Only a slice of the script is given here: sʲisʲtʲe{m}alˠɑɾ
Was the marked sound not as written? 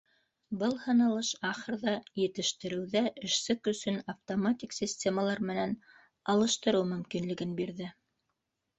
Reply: no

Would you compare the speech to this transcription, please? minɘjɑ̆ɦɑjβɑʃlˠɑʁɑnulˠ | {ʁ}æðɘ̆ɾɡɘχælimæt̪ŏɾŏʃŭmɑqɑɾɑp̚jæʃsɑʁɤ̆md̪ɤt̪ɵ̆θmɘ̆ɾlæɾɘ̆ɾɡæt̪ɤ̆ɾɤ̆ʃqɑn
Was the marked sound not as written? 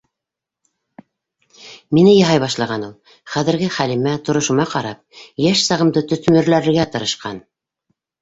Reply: yes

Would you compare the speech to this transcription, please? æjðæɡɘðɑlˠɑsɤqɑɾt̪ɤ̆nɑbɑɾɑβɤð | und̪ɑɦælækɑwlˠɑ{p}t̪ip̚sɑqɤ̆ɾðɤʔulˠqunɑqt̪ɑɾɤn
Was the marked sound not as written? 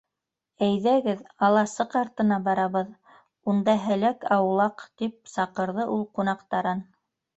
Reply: yes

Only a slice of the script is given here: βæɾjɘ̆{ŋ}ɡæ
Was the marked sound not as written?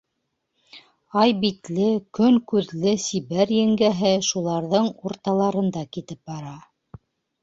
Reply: no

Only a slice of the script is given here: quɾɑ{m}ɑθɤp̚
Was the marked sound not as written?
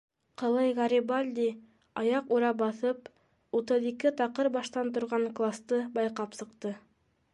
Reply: yes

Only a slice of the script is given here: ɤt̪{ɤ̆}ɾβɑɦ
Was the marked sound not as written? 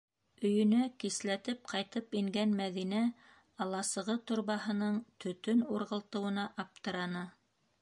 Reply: yes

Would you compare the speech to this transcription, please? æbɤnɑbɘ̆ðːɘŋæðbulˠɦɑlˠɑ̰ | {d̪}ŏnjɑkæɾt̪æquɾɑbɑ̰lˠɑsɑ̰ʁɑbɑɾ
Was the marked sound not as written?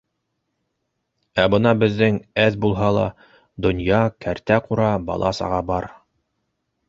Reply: no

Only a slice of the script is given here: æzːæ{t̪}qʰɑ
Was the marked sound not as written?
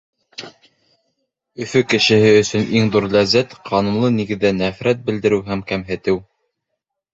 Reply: no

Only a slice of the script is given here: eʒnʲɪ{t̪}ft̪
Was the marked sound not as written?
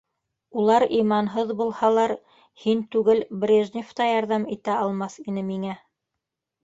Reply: yes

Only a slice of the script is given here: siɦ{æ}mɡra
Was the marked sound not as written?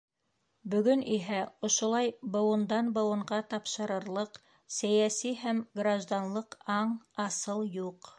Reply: no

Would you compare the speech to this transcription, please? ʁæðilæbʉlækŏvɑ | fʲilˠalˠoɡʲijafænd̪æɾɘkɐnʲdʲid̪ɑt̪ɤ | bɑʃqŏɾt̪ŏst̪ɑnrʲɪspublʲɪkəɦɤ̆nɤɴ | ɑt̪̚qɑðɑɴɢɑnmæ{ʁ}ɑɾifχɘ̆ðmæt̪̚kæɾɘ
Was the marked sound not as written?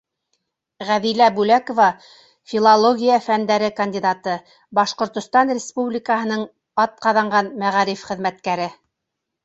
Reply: no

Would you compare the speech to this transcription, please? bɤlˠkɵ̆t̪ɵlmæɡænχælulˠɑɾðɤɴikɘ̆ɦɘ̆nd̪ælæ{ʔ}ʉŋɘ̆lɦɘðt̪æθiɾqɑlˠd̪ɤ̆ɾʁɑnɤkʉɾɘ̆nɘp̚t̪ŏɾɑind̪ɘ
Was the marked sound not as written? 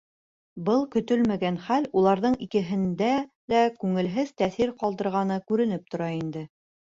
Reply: yes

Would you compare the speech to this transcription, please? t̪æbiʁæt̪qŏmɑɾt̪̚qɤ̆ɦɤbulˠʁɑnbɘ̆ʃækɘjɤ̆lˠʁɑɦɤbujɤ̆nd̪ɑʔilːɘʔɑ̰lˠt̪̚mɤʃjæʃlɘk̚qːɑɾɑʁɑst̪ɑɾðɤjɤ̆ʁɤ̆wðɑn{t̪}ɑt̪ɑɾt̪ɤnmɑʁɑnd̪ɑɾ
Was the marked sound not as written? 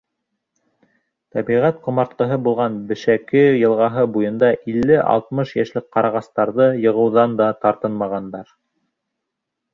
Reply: yes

